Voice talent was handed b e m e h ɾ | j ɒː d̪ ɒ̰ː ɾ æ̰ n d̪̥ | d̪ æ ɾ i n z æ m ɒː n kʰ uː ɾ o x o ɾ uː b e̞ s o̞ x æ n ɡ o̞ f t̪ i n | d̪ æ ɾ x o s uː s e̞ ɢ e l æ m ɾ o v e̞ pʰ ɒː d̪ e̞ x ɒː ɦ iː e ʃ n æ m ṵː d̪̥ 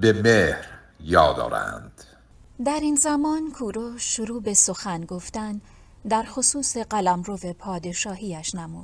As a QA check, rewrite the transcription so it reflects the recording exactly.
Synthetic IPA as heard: b e m e h ɾ | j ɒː d̪ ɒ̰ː ɾ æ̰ n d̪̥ | d̪ æ ɾ i n z æ m ɒː n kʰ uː ɾ o ʃ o ɾ uː b e̞ s o̞ x æ n ɡ o̞ f t̪ æ n | d̪ æ ɾ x o s uː s e̞ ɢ æ l æ m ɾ o v e̞ pʰ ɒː d̪ e̞ ʃ ɒː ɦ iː æ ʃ n æ m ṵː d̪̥